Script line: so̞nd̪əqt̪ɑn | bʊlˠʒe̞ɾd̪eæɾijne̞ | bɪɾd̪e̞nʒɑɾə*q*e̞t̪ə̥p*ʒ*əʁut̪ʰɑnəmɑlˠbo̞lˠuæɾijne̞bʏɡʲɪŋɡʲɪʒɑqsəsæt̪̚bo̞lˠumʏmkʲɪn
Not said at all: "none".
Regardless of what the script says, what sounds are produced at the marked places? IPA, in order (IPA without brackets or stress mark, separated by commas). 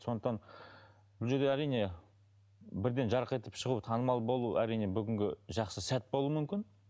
q, ʃ